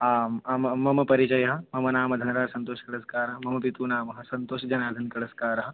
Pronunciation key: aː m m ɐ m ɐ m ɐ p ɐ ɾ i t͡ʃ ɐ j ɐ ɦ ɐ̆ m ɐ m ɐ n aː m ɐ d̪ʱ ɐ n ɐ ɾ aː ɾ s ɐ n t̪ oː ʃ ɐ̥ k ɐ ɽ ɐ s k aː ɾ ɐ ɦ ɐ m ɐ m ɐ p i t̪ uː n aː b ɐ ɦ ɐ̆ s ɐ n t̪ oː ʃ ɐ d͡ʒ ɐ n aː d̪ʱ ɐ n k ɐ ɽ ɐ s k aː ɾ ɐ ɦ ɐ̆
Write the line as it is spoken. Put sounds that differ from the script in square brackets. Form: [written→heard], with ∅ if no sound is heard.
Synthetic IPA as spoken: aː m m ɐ m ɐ m ɐ p ɐ ɾ i t͡ʃ ɐ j ɐ ɦ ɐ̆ m ɐ m ɐ n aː m ɐ d̪ʱ ɐ n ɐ ɾ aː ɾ s ɐ n t̪ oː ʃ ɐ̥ k ɐ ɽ ɐ s k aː ɾ ɐ ɦ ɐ m ɐ m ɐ p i t̪ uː n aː [b→m] ɐ ɦ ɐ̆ s ɐ n t̪ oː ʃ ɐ d͡ʒ ɐ n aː d̪ʱ ɐ n k ɐ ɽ ɐ s k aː ɾ ɐ ɦ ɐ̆